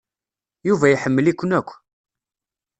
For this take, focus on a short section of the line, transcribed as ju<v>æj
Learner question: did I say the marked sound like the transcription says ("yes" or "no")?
yes